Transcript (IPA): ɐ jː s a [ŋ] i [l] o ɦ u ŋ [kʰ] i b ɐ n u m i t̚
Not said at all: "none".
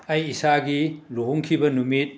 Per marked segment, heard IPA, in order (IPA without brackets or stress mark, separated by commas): ɡ, l, kʰ